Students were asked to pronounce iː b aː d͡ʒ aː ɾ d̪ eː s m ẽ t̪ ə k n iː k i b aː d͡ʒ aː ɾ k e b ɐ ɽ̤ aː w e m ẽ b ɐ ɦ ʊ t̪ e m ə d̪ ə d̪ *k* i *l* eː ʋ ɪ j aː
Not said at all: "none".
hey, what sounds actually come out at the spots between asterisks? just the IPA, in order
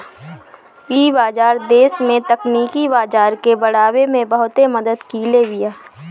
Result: k, l

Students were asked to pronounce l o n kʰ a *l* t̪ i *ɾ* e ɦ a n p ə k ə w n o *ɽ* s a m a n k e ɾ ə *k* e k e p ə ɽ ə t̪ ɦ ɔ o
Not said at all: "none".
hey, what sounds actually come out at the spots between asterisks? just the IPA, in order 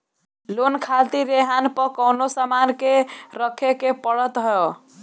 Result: l, ɾ, none, kʰ

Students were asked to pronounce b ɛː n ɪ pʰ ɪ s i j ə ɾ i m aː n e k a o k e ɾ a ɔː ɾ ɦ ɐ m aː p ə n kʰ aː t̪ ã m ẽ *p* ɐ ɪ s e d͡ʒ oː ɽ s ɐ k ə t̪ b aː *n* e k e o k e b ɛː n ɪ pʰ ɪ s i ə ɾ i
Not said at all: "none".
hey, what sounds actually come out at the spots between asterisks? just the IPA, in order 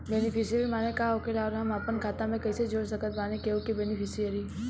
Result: k, n

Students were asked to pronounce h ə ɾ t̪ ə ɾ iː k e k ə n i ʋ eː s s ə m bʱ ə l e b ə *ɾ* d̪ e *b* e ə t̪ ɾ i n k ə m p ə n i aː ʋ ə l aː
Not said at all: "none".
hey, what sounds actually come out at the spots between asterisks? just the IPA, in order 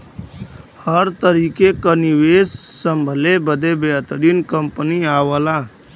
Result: none, b

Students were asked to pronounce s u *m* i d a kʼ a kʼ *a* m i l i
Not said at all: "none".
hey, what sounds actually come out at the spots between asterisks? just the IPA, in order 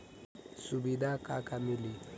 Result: b, a

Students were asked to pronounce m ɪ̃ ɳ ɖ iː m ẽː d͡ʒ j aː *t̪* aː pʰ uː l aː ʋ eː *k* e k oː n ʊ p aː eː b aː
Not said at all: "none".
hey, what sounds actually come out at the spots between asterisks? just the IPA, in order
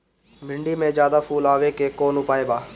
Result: d̪, k

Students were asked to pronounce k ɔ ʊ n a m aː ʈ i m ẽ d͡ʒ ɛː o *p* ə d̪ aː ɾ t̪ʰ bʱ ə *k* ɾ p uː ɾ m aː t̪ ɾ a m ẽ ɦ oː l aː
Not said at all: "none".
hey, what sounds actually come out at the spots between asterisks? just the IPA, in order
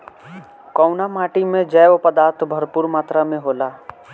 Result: p, none

